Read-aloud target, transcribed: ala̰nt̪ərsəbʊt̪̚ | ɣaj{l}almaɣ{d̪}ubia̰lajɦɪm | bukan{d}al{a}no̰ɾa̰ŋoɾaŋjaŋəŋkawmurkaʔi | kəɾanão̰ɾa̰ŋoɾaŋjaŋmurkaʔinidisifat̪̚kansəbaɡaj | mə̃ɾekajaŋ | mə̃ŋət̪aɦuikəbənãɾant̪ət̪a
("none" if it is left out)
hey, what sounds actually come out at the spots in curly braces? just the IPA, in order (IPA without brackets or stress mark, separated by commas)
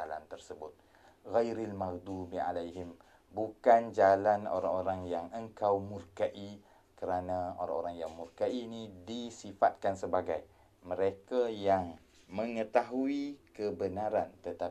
ɾ, d̪, d͡ʒ, a